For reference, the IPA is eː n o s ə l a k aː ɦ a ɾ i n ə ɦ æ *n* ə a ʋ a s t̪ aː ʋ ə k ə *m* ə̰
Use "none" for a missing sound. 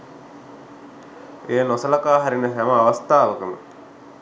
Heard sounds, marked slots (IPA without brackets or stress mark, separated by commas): m, m